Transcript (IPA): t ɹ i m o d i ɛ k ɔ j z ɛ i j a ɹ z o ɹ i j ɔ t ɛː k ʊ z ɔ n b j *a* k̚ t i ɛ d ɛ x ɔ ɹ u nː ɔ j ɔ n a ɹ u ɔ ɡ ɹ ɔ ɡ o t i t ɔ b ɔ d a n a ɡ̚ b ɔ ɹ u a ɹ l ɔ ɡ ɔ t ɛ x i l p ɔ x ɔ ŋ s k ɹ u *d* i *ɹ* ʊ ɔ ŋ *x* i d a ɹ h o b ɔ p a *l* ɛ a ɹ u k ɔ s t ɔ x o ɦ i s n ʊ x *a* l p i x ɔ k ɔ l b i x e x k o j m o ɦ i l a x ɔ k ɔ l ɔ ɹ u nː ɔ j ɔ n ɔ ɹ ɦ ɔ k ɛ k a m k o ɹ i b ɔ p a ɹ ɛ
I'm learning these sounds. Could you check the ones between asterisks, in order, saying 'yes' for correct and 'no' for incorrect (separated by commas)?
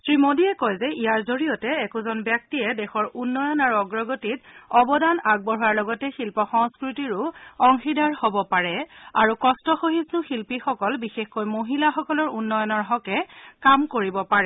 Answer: yes, no, yes, yes, no, no